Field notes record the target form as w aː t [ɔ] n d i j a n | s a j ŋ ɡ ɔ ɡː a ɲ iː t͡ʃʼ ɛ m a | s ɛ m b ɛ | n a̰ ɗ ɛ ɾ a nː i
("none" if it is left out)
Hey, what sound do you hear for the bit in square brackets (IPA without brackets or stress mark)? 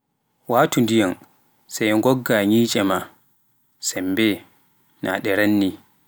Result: u